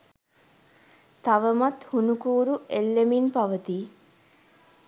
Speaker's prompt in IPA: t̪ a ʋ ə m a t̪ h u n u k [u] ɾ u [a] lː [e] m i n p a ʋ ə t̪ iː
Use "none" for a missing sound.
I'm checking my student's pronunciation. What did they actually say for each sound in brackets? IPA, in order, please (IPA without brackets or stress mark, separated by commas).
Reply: uː, e, e